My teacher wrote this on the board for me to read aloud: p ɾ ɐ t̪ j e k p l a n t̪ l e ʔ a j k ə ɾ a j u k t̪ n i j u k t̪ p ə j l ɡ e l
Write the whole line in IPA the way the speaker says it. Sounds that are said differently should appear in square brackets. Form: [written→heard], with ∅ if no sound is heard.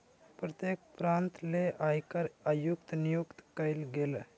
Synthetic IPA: p ɾ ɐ t̪ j e k p [l→ɾ] a n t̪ l e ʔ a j k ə ɾ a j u k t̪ n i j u k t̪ [p→k] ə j l ɡ e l